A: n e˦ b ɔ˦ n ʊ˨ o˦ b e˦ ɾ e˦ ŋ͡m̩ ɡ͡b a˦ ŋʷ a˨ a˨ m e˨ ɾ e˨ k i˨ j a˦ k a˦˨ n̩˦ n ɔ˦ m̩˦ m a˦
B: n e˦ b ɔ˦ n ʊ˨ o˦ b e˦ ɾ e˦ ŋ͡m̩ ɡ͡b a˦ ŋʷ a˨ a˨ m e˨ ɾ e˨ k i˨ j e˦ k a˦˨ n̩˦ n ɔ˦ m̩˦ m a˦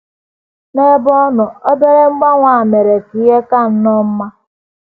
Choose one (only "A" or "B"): B